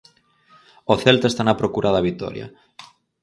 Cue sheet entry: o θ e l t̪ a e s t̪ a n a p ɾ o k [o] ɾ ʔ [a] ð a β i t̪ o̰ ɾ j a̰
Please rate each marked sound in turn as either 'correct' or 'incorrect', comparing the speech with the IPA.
incorrect, correct

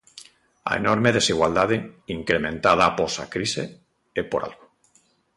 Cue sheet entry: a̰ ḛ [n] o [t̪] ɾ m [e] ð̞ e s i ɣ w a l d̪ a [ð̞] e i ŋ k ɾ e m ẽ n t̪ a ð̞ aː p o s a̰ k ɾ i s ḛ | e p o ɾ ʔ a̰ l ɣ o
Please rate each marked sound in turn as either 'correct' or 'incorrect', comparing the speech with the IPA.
correct, incorrect, correct, correct

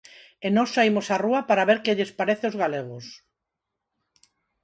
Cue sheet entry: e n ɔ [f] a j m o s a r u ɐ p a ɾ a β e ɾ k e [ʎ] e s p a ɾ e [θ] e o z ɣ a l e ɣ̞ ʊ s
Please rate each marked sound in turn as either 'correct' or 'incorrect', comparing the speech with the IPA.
incorrect, correct, correct

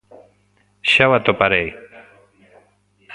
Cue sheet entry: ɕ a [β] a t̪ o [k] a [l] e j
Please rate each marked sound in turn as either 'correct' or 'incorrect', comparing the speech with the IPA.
incorrect, incorrect, incorrect

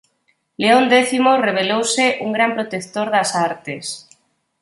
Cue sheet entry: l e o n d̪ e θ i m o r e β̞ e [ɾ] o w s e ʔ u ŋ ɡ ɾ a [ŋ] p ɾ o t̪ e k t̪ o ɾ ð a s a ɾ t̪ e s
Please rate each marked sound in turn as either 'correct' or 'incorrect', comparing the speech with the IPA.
incorrect, incorrect

